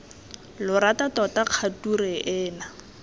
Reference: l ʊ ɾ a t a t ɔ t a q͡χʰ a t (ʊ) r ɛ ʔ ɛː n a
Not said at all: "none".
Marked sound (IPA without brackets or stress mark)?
u